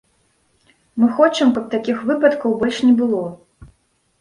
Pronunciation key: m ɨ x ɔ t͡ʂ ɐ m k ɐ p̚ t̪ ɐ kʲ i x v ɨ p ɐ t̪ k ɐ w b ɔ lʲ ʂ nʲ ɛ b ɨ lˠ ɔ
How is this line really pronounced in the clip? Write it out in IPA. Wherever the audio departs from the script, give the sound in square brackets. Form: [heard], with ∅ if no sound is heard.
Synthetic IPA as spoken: m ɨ x ɔ t͡ʂ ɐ m k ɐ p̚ t̪ [a] kʲ i x v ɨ p ɐ t̪ k ɐ w b ɔ lʲ ʂ nʲ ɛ b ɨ lˠ ɔ